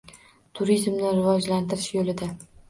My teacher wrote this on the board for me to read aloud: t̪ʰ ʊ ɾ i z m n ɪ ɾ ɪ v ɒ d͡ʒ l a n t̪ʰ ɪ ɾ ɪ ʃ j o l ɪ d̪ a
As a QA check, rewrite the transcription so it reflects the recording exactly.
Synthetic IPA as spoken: t̪ʰ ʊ ɾ i z m n ɪ ɾ ɪ v ɒ d͡ʒ l a n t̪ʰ ɪ ɾ ɪ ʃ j o l ɪ d̪ a